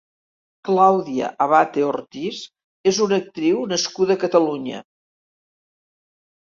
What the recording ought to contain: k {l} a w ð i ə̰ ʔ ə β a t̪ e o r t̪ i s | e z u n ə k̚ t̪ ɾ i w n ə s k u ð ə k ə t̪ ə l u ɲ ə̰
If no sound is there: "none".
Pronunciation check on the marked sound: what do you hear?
l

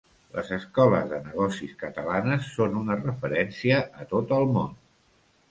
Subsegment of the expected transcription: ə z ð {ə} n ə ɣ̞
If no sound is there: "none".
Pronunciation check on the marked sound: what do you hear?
ə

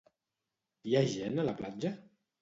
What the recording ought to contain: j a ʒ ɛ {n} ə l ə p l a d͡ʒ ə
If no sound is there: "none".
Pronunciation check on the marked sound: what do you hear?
n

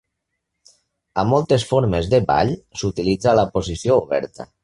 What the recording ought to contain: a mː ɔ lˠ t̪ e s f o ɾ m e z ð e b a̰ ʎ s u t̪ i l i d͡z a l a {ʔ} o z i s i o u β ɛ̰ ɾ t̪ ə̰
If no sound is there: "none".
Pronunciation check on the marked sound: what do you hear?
p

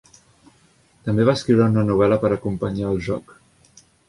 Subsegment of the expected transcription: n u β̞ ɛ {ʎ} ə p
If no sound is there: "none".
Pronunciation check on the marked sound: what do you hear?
l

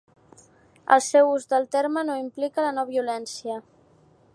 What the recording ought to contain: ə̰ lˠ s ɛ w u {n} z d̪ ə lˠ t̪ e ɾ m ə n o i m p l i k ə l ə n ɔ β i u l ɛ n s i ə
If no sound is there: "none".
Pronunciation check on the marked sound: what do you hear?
none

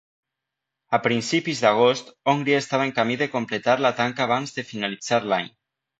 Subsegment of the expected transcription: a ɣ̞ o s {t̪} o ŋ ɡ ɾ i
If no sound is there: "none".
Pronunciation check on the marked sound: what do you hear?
t̪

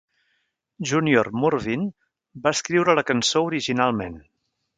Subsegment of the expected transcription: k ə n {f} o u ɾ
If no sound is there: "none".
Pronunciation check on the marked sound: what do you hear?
s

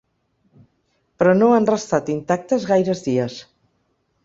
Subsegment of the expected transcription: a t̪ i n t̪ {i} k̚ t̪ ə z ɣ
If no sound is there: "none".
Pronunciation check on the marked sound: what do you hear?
a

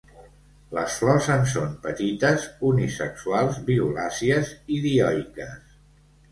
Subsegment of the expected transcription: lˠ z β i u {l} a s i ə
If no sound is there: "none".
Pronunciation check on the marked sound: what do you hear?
l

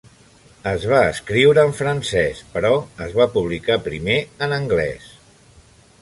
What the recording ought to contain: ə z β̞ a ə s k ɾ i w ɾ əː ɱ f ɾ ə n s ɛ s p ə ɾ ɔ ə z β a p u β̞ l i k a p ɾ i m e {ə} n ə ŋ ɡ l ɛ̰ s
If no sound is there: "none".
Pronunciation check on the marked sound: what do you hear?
ə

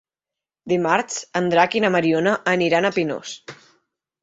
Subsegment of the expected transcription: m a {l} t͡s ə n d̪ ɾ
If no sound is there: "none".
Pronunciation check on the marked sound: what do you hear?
ɾ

